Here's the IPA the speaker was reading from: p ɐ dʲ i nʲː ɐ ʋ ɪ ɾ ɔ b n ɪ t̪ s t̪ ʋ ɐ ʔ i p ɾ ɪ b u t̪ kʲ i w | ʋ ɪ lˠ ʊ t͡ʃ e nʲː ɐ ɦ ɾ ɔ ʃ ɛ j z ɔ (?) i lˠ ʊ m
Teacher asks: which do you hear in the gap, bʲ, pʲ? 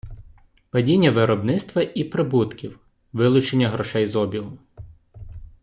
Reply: bʲ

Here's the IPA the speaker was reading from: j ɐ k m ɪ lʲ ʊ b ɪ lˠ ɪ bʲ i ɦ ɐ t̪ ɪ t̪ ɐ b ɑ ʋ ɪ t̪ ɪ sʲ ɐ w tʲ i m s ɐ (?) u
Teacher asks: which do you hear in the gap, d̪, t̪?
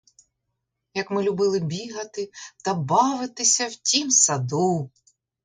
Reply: d̪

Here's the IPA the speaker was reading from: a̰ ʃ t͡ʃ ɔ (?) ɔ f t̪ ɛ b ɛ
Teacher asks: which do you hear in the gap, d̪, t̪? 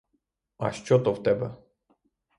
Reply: t̪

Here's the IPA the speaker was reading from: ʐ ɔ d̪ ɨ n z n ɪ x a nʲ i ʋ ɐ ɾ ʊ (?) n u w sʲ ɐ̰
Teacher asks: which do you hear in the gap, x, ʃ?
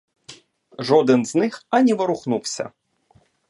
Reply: x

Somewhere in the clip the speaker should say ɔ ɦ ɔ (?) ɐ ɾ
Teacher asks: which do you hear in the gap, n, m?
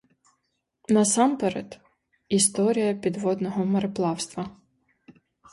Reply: m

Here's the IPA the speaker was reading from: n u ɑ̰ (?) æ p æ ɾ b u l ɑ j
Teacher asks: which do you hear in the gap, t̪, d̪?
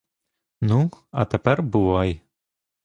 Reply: t̪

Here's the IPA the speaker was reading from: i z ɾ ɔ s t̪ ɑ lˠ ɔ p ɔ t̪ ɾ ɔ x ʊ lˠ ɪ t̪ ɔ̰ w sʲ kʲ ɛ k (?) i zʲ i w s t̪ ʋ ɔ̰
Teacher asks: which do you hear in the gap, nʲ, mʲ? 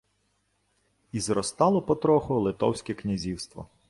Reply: nʲ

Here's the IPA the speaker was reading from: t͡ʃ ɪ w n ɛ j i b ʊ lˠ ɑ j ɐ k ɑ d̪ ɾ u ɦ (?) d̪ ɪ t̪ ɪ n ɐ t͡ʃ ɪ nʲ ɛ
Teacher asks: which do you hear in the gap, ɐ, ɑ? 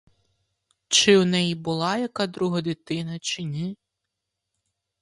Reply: ɐ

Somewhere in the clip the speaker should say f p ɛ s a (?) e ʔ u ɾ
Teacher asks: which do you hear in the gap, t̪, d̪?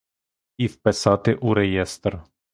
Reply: t̪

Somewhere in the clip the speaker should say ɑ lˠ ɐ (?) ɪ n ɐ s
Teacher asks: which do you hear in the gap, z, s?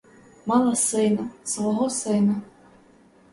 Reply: s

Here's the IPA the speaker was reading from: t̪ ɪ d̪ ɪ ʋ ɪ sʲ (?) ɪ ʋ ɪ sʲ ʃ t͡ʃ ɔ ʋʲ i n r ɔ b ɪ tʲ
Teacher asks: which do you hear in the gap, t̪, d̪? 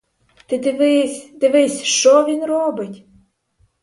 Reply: d̪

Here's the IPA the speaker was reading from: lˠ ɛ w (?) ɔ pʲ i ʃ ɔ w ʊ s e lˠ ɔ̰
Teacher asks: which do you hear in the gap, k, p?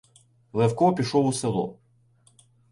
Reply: k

